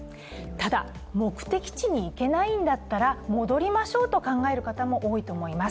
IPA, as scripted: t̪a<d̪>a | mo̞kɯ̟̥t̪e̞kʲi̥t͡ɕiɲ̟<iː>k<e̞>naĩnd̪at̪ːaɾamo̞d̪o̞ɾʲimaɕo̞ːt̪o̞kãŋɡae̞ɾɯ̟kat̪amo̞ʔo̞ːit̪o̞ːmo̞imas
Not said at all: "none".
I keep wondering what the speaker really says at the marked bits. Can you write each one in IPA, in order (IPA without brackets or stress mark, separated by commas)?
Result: d̪, iː, e̞